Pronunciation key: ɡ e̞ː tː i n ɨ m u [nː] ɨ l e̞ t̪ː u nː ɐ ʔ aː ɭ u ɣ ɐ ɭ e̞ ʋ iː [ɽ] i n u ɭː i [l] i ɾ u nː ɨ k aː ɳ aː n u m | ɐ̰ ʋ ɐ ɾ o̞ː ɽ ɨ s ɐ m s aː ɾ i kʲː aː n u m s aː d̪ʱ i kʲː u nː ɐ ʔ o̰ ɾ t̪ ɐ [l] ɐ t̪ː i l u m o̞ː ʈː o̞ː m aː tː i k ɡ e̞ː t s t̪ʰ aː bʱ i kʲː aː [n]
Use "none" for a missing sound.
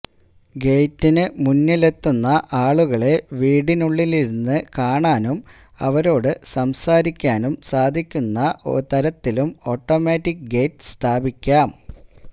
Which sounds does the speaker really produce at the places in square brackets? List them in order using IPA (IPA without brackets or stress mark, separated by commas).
nː, ɽ, l, ɾ, m